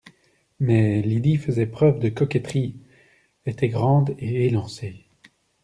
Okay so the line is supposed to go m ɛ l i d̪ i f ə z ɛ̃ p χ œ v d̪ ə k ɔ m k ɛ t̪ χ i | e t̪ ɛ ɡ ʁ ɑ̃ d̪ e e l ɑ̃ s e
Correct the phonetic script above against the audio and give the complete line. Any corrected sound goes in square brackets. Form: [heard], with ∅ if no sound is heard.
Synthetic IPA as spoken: m ɛ l i d̪ i f ə z [ɛ] p χ œ v d̪ ə k ɔ [∅] k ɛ t̪ χ i | e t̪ ɛ ɡ ʁ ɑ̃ d̪ e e l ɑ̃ s e